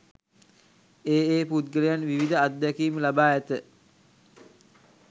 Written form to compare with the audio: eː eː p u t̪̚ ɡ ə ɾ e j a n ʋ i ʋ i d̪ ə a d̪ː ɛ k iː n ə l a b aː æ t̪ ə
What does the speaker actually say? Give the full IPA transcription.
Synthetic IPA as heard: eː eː p u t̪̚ ɡ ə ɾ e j a n ʋ i ʋ i d̪ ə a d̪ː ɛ k iː m ə l a b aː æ t̪ ə